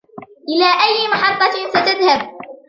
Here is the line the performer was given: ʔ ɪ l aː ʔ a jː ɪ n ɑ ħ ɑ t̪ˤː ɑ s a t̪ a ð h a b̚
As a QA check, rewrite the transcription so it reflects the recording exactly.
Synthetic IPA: ʔ ɪ l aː ʔ a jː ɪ m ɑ ħ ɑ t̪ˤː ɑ s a t̪ a ð h a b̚